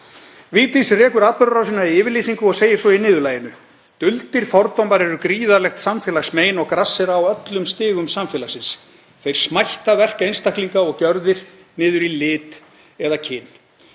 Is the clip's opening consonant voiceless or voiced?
voiced